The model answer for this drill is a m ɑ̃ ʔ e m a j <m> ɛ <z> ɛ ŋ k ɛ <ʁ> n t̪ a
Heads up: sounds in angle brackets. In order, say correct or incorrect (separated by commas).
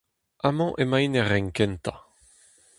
incorrect, incorrect, incorrect